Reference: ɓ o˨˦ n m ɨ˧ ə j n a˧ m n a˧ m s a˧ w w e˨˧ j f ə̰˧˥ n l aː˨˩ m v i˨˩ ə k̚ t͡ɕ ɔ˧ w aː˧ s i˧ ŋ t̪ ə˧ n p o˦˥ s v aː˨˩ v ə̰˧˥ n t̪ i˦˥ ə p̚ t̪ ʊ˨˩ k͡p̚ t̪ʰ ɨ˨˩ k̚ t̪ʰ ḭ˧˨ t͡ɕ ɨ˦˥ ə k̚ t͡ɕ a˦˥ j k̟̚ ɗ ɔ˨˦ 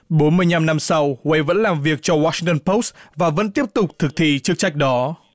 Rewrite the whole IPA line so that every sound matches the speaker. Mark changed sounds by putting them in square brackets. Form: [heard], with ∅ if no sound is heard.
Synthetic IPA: ɓ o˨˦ n m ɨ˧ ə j [ɲ] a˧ m n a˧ m s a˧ w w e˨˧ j [v] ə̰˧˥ n l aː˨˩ m v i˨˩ ə k̚ t͡ɕ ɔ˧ w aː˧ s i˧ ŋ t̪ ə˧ n p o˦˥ s v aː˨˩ v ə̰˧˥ n t̪ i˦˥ ə p̚ t̪ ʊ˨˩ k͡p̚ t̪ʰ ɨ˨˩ k̚ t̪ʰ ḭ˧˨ t͡ɕ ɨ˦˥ ə k̚ t͡ɕ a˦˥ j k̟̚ ɗ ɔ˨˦